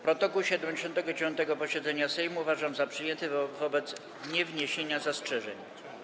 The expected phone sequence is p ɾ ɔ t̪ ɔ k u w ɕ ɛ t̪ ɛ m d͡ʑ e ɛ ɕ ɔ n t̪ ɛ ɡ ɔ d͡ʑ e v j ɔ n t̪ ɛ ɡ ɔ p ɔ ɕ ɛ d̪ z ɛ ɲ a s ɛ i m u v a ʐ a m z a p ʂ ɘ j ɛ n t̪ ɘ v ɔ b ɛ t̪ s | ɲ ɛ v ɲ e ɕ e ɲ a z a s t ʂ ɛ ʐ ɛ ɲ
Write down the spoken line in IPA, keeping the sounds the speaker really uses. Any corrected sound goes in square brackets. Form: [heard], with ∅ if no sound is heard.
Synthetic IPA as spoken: p ɾ ɔ t̪ ɔ k u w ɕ ɛ [d̪] ɛ m d͡ʑ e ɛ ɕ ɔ n t̪ ɛ ɡ ɔ d͡ʑ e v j ɔ n t̪ ɛ ɡ ɔ p ɔ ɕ ɛ d̪ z ɛ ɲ a s ɛ [j] m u v a ʐ a m z a p ʂ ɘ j ɛ n t̪ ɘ v ɔ b ɛ t̪ s | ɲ ɛ v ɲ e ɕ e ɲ a z a s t ʂ ɛ ʐ ɛ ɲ

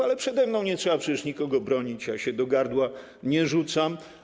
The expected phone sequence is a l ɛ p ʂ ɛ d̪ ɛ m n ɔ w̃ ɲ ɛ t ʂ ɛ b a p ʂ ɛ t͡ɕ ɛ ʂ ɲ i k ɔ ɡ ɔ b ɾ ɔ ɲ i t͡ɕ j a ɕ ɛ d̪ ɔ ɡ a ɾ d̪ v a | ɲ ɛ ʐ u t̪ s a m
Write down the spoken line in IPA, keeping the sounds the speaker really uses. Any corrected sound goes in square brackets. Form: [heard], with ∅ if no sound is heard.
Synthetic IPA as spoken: a l ɛ p ʂ ɛ d̪ ɛ m n [ɔ̃] w̃ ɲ ɛ t ʂ ɛ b a p ʂ ɛ t͡ɕ ɛ ʂ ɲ i k ɔ ɡ ɔ b ɾ ɔ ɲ i t͡ɕ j a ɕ ɛ d̪ ɔ ɡ a ɾ d̪ [w] a | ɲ ɛ ʐ u t̪ s a m

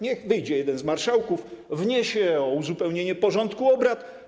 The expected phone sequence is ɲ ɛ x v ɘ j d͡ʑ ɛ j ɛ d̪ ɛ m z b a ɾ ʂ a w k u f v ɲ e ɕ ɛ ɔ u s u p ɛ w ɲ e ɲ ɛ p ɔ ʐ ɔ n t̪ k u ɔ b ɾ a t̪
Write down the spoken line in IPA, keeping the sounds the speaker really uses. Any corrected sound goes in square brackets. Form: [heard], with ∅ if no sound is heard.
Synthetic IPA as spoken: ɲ ɛ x v ɘ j d͡ʑ ɛ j ɛ d̪ ɛ [n] z [m] a ɾ ʂ a w k u f v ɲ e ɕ ɛ ɔ u [z] u p ɛ w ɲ e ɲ ɛ p ɔ ʐ ɔ n t̪ k u ɔ b ɾ a t̪

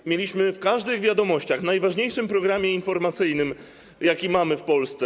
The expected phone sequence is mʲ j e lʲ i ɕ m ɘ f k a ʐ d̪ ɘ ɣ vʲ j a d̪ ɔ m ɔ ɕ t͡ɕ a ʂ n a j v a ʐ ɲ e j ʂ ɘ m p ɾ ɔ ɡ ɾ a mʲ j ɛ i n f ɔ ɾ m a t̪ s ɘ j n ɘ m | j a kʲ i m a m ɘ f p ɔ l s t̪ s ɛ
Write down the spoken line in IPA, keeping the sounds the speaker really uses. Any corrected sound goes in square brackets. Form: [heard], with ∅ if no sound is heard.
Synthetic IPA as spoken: mʲ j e lʲ i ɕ m ɘ f k a ʐ d̪ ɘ ɣ vʲ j a d̪ ɔ m ɔ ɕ t͡ɕ a [x] n a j v a ʐ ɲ e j ʂ ɘ m p ɾ ɔ ɡ ɾ a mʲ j ɛ i n f ɔ ɾ m a t̪ s ɘ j n ɘ m | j a kʲ i m a m ɘ f p ɔ l s t̪ s ɛ

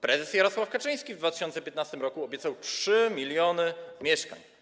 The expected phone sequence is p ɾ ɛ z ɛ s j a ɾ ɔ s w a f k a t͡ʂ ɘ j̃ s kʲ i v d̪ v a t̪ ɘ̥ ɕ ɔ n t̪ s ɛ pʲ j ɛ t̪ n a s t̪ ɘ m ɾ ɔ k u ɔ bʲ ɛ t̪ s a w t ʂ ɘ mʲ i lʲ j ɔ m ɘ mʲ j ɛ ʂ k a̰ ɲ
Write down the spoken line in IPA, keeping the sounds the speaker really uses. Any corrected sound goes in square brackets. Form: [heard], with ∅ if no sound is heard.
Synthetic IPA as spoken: p ɾ ɛ z ɛ s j a ɾ ɔ s w a f k a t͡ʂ ɘ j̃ s kʲ i v d̪ v a t̪ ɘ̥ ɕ ɔ n t̪ s ɛ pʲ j ɛ t̪ n a s t̪ ɘ m ɾ ɔ k u ɔ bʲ ɛ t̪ s a w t ʂ ɘ mʲ i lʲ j ɔ [n] ɘ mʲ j ɛ ʂ k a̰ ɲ

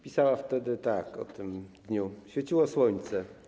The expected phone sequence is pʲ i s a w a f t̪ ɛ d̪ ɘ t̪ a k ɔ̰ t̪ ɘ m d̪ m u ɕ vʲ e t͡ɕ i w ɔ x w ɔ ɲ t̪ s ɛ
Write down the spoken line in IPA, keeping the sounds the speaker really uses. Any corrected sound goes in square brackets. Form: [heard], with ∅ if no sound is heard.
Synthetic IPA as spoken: pʲ i s a w a f t̪ ɛ d̪ ɘ t̪ a k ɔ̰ t̪ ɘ m d̪ [ɲ] u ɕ [fʲ] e t͡ɕ i w ɔ [s] w ɔ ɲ t̪ s ɛ

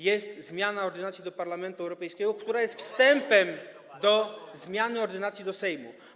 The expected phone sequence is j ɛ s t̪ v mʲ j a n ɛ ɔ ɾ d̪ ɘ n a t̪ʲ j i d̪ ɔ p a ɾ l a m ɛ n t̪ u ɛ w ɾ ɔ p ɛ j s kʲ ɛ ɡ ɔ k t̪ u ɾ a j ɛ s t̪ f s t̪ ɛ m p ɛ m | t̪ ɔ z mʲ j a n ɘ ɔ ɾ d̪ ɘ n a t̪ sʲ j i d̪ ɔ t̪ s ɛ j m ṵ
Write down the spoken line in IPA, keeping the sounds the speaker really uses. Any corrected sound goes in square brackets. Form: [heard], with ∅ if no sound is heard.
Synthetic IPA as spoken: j ɛ s t̪ [z] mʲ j a n [a] ɔ ɾ d̪ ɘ n a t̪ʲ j i d̪ ɔ p a ɾ l a m ɛ n t̪ u ɛ w ɾ ɔ p ɛ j s kʲ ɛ ɡ ɔ k t̪ u ɾ a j ɛ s t̪ f s t̪ ɛ m p ɛ m | [d̪] ɔ z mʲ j a n ɘ ɔ ɾ d̪ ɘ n a t̪ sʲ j i d̪ ɔ [∅] s ɛ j m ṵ

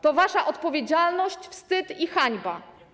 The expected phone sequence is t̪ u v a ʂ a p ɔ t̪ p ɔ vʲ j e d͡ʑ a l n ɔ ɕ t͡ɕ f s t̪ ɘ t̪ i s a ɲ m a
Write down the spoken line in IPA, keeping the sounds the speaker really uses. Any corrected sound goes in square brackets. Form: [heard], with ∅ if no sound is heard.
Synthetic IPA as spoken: t̪ [ɔ] v a ʂ a [ʔ] ɔ t̪ p ɔ vʲ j e d͡ʑ a l n ɔ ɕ t͡ɕ f s t̪ ɘ t̪ i [x] a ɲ [b] a

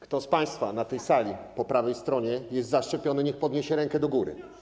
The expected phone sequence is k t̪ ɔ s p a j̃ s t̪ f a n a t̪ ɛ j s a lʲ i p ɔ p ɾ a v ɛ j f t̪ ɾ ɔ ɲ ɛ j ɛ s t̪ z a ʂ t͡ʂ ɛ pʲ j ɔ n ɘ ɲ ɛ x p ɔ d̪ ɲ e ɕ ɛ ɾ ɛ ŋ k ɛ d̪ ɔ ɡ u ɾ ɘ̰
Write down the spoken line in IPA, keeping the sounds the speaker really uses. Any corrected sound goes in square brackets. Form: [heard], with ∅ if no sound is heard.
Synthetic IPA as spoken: k t̪ ɔ s p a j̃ s t̪ f a n a t̪ ɛ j s a lʲ i p ɔ p ɾ a v ɛ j [s] t̪ ɾ ɔ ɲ ɛ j ɛ s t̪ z a ʂ t͡ʂ ɛ pʲ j ɔ n ɘ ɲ ɛ x p ɔ d̪ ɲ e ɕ ɛ ɾ ɛ ŋ k ɛ d̪ ɔ ɡ u ɾ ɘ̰

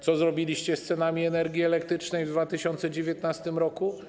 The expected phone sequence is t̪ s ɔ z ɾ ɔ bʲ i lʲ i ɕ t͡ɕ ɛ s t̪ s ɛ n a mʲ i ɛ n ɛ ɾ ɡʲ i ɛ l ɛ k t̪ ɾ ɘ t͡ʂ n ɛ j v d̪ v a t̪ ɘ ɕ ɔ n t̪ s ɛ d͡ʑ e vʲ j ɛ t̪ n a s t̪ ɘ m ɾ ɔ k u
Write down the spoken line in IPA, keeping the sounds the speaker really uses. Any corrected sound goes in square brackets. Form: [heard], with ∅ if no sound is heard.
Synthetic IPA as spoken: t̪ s ɔ z ɾ ɔ bʲ i lʲ i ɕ t͡ɕ ɛ s t̪ s ɛ n a mʲ i ɛ n ɛ ɾ ɡʲ i ɛ l ɛ k t̪ ɾ ɘ t͡ʂ n ɛ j v d̪ v a t̪ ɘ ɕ ɔ n t̪ s ɛ d͡ʑ e vʲ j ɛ t̪ n a s t̪ ɘ m ɾ ɔ k u

